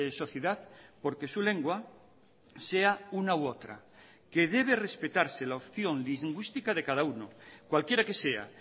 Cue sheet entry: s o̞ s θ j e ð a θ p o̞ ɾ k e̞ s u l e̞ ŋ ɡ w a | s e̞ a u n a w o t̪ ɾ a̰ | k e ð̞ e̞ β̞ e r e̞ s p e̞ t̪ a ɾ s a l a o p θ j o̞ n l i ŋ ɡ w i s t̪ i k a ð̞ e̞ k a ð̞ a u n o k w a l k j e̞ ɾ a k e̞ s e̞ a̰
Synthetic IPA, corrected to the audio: s o̞ θ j e ð a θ p o̞ ɾ k e̞ s u l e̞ ŋ ɡ w a | s e̞ a u n a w o t̪ ɾ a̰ | k e ð̞ e̞ β̞ e r e̞ s p e̞ t̪ a ɾ s e l a o p θ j o̞ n l i ŋ ɡ w i s t̪ i k a ð̞ e̞ k a ð̞ a u n o k w a l k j e̞ ɾ a k e̞ s e̞ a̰